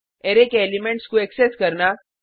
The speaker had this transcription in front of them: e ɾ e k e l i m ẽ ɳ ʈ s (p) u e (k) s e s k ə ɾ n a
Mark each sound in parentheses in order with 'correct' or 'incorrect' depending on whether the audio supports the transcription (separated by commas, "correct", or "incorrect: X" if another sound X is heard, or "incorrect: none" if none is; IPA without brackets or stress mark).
incorrect: k, correct